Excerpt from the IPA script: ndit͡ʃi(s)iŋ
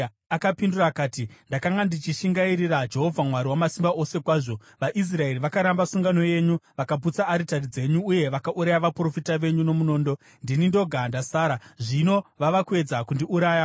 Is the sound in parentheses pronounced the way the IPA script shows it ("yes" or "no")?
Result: no